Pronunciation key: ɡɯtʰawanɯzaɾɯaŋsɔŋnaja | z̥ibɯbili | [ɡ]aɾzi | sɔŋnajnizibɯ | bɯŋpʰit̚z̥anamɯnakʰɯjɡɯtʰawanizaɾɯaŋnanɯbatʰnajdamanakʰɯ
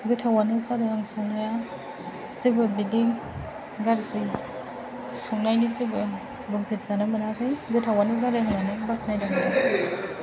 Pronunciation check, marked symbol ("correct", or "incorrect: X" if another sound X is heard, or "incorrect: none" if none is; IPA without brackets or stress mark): correct